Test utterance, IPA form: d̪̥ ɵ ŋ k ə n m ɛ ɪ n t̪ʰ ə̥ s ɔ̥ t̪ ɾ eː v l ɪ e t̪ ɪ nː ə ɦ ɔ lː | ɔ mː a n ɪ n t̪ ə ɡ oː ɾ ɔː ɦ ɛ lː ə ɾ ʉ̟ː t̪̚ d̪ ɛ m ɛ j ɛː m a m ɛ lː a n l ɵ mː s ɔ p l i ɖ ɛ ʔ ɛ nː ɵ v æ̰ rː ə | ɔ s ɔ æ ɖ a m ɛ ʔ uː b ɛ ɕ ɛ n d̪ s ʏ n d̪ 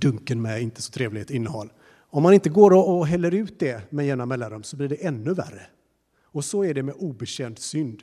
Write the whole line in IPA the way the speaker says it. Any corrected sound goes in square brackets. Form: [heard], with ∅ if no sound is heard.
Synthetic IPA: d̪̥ ɵ ŋ k ə n m ɛ ɪ n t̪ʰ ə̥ s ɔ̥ [t̪ʰ] ɾ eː v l ɪ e t̪ ɪ nː ə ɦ ɔ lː | ɔ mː a n ɪ n t̪ ə ɡ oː ɾ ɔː ɦ ɛ lː ə ɾ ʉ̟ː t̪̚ d̪ ɛ m ɛ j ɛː [n] a m ɛ lː a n [ɾ] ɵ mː s ɔ [b] l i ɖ ɛ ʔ ɛ nː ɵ v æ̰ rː ə | ɔ s ɔ æ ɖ [ɛ] m ɛ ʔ uː b ɛ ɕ ɛ n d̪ s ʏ n d̪